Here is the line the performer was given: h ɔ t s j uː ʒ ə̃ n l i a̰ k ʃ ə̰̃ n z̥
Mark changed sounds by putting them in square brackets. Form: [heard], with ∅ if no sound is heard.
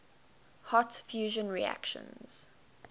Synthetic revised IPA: h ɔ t [f] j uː ʒ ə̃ n [ɹ] i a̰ k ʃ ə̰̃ n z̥